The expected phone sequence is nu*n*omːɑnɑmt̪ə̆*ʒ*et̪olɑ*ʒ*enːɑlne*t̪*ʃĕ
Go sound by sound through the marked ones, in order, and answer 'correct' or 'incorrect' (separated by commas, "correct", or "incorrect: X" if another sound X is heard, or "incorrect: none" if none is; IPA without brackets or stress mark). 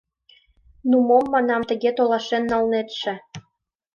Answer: incorrect: m, incorrect: ɣ, incorrect: ʃ, correct